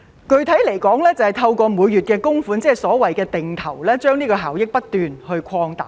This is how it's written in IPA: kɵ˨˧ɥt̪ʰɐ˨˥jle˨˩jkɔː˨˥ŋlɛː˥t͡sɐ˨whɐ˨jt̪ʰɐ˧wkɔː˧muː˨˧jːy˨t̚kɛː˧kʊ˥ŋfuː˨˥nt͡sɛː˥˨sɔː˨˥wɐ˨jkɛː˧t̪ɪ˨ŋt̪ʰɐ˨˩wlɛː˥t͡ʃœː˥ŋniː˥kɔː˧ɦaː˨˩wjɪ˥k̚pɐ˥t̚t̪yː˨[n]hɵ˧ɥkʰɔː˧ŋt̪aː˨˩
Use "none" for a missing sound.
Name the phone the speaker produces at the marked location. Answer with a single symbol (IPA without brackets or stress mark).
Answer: n